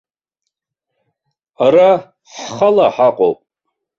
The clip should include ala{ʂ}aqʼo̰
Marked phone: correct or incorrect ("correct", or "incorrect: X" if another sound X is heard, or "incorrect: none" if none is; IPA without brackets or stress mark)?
incorrect: ħ